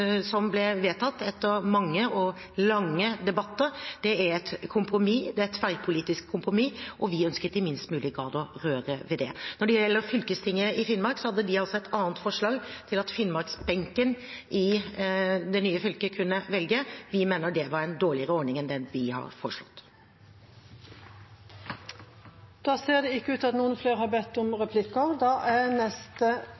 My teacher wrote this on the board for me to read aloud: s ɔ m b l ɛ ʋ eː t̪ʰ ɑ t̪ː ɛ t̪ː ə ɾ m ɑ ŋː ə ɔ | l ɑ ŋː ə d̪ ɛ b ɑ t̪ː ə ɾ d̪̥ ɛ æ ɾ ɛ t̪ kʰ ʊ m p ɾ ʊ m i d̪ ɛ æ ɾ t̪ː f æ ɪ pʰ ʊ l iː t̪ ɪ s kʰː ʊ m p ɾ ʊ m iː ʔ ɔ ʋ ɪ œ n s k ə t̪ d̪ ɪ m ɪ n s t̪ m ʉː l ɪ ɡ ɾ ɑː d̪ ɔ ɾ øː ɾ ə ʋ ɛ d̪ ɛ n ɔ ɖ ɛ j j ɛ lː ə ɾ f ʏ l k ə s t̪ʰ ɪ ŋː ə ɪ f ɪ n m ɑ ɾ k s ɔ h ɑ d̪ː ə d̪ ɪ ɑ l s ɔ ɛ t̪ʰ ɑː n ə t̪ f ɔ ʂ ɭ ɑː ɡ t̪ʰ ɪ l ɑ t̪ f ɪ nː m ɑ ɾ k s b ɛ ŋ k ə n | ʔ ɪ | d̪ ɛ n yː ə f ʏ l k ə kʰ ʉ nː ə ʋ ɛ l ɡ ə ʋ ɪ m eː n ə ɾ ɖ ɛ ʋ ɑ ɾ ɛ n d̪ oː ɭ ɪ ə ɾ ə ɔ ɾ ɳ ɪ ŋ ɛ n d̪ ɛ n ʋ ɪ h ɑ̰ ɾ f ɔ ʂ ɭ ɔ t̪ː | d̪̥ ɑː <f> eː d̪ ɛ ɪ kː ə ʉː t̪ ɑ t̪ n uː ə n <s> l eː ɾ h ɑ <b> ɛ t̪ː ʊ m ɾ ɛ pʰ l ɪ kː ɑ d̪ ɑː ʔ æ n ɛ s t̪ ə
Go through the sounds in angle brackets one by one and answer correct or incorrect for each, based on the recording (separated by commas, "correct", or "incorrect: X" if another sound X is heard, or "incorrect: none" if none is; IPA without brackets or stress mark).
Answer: incorrect: s, incorrect: f, correct